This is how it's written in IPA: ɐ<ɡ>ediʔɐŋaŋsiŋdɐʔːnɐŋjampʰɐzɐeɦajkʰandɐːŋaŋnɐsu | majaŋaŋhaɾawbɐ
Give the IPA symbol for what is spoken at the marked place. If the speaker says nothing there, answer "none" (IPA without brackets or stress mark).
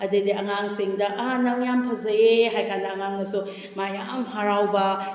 d